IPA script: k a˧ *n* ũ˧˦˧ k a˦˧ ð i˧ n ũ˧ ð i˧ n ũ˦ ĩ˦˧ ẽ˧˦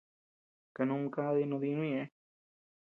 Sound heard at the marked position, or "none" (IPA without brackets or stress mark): n